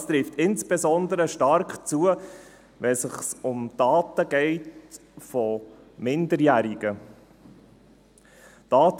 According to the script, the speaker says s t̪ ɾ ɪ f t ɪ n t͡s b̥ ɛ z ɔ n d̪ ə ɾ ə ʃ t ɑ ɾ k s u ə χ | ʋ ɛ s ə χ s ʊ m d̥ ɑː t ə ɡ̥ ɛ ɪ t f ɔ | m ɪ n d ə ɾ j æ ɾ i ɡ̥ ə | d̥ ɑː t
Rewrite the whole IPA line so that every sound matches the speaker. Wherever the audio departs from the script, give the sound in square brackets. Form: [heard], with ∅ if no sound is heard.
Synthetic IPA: s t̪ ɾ ɪ f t ɪ n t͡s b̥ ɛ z ɔ n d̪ ə ɾ ə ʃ t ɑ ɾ k [t͡s] u ə [∅] | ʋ ɛ s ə χ s ʊ m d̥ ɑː t ə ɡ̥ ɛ ɪ t f ɔ | m ɪ n d ə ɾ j æ ɾ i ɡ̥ ə | d̥ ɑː t